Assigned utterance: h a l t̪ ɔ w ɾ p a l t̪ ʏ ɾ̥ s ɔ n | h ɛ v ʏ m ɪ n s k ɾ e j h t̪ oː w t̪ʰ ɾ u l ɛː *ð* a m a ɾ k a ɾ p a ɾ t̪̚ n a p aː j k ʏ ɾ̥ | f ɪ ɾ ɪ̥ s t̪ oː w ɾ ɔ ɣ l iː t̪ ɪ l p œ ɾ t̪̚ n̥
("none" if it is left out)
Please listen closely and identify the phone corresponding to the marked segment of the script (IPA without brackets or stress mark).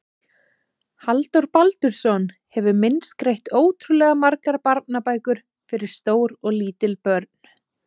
ɣ